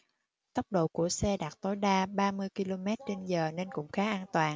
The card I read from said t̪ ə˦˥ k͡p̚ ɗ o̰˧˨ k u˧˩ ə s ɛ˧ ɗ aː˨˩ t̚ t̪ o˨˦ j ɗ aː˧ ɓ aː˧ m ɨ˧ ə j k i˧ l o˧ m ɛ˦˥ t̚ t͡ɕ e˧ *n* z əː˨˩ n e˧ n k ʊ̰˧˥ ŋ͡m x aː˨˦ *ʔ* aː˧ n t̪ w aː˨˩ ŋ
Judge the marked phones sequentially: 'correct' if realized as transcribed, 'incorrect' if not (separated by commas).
correct, correct